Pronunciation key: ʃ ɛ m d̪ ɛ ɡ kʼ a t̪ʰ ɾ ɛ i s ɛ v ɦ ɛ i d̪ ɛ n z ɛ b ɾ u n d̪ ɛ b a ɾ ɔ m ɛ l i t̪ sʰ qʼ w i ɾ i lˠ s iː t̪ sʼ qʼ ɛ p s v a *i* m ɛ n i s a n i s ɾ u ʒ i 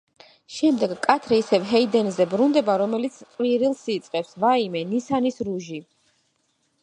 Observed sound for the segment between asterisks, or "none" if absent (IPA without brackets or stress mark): i